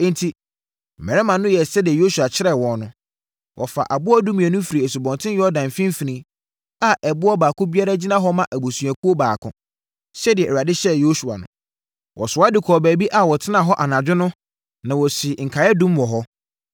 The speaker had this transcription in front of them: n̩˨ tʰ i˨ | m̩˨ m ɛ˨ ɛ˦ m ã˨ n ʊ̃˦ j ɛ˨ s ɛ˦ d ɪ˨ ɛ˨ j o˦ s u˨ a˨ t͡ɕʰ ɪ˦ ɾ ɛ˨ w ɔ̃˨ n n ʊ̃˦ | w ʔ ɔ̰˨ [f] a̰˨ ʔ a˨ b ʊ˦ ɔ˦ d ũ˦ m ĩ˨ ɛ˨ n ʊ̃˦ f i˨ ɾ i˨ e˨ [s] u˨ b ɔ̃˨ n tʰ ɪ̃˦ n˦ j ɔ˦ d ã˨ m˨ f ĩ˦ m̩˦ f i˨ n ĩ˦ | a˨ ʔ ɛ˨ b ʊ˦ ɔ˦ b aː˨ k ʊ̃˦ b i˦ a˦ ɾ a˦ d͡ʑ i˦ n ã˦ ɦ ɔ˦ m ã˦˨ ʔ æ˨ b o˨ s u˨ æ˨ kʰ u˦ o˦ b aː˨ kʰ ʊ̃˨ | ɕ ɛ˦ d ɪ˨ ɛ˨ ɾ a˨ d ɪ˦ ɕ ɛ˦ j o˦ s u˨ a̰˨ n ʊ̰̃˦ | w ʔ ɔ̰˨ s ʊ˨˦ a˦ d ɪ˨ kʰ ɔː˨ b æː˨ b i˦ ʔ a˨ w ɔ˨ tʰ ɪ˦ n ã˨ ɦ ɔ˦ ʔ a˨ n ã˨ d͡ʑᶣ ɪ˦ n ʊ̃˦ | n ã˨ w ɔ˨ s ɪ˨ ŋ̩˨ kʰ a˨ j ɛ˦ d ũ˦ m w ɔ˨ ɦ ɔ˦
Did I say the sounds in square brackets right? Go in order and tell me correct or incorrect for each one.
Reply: correct, correct

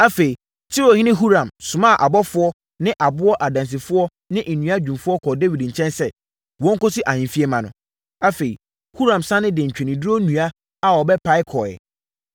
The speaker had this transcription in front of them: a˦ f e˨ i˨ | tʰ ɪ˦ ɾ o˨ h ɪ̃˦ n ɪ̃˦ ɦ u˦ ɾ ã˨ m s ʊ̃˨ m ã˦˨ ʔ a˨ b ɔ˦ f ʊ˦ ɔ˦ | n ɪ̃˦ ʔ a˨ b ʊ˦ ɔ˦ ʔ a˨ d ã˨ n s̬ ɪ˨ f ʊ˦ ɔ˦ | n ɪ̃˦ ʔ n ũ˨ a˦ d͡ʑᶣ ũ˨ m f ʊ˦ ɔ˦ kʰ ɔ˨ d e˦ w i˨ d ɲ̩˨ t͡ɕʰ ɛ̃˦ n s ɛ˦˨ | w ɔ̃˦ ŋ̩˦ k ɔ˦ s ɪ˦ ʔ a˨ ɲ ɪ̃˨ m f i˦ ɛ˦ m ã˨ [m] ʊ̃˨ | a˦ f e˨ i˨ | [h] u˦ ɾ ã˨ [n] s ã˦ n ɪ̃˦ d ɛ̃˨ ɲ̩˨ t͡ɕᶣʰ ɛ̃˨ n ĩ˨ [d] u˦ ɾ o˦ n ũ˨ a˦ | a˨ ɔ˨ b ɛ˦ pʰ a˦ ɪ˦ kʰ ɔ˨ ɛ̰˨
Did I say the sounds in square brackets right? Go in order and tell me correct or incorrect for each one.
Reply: incorrect: n, correct, incorrect: m, correct

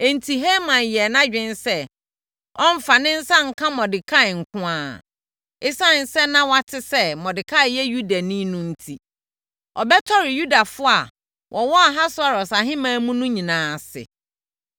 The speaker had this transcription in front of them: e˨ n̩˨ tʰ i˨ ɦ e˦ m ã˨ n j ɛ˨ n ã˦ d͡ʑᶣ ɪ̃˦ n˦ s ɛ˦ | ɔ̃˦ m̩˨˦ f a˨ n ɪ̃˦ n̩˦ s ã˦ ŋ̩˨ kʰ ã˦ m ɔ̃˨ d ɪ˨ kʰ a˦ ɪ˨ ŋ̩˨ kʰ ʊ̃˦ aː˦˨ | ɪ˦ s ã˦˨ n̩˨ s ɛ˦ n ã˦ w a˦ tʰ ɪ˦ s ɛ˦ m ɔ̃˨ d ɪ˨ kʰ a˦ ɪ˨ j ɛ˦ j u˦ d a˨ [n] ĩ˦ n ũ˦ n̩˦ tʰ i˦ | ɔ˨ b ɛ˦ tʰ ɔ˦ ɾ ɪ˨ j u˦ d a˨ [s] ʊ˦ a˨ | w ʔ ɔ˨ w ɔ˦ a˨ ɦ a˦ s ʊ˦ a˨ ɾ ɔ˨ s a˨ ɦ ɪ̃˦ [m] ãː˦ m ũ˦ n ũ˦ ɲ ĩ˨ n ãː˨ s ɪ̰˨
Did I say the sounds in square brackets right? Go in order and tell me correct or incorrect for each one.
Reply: correct, incorrect: f, correct

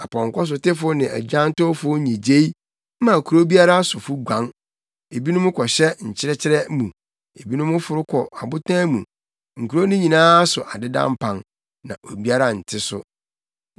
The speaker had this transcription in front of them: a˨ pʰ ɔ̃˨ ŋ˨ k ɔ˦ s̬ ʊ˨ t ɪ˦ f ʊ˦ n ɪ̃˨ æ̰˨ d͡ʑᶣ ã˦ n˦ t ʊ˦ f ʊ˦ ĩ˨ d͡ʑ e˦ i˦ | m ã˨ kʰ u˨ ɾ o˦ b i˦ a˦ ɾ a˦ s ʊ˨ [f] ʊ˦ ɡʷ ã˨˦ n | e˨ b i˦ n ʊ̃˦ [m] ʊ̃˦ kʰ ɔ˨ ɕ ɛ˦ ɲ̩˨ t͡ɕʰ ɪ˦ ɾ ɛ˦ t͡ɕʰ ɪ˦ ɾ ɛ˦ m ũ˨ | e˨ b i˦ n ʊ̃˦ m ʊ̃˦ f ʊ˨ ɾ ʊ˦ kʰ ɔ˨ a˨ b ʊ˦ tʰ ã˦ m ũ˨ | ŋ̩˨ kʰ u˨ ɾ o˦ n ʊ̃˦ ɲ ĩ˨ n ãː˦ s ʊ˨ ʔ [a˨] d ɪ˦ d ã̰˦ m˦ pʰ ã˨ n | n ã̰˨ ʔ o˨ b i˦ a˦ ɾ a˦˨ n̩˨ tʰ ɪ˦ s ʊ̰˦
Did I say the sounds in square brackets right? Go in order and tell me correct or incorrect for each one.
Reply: correct, correct, correct

